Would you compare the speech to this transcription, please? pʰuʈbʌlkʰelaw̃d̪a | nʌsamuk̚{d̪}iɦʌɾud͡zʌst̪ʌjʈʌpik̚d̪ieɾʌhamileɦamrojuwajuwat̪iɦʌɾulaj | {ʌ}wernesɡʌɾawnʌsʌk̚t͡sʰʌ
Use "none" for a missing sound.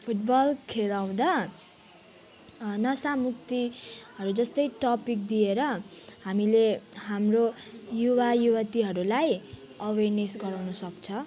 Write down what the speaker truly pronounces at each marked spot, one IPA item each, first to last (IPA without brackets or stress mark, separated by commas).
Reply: t̪, ʌ